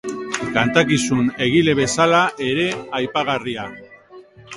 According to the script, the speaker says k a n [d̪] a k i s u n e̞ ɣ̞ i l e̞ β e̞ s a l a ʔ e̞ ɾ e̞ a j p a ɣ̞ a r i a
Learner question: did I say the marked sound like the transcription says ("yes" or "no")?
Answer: no